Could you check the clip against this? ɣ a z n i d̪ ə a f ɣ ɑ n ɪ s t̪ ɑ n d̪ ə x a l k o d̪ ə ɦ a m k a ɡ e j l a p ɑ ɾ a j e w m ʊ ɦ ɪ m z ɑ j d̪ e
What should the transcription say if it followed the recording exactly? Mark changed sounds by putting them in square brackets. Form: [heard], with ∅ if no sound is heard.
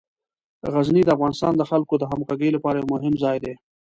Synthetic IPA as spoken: ɣ a z n i d̪ ə a f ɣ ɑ n ɪ s t̪ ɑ n d̪ ə x a l k o d̪ ə ɦ a m k a ɡ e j l a p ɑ ɾ a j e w m ʊ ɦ ɪ m z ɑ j d̪ e